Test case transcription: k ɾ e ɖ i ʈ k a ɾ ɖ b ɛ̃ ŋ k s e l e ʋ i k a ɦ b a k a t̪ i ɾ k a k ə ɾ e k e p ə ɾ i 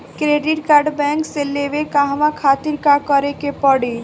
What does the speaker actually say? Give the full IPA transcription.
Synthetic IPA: k ɾ e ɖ i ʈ k a ɾ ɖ b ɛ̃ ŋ k s e l e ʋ e k a ɦ m a kʰ a t̪ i ɾ k a k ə ɾ e k e p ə ɽ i